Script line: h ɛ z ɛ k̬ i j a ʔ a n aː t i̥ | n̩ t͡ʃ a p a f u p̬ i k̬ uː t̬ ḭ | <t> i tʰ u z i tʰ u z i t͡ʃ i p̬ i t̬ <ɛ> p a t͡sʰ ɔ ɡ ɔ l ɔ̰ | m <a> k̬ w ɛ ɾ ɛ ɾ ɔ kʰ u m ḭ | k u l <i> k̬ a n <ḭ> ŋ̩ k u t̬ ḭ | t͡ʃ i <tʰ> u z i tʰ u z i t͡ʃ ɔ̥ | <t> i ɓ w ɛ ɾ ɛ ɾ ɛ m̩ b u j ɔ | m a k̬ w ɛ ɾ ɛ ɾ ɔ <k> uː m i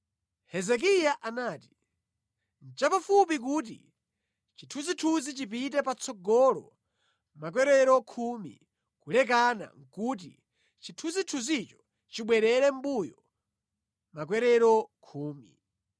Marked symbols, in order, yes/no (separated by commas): no, yes, yes, no, no, yes, no, no